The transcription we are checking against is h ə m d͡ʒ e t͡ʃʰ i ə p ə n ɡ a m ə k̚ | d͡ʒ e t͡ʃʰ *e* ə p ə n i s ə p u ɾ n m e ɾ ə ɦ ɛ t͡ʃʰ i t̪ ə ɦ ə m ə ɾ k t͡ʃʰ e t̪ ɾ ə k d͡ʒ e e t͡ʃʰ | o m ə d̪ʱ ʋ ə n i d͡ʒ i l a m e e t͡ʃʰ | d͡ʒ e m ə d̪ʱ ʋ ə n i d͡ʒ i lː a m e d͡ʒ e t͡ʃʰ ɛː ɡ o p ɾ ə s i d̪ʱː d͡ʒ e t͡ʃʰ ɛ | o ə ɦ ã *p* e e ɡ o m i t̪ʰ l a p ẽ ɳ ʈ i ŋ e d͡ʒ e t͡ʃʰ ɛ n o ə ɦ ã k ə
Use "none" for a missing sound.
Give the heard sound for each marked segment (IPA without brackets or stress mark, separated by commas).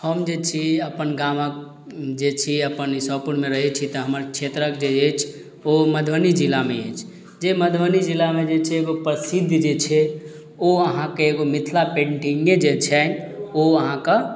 i, k